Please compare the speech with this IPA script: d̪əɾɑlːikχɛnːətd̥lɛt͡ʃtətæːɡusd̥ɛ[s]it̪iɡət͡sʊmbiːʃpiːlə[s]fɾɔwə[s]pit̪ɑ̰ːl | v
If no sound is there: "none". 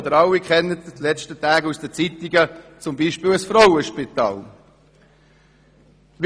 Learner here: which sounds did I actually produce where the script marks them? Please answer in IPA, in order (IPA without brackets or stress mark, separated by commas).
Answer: t͡s, s, ʃ